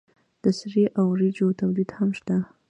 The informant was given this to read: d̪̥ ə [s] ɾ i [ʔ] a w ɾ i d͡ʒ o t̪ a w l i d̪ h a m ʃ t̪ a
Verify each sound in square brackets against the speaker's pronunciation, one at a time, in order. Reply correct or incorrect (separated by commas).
correct, correct